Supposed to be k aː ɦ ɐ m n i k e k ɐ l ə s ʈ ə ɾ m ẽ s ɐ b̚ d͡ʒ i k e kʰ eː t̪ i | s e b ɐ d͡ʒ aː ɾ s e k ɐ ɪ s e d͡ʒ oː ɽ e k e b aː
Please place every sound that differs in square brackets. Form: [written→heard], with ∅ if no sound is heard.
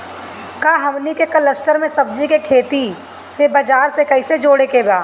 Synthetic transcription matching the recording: k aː ɦ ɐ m n i k e k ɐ l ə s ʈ ə ɾ m ẽ s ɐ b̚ d͡ʒ i k e kʰ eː t̪ i | s e b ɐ d͡ʒ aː ɾ s e k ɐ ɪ s e d͡ʒ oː ɽ e k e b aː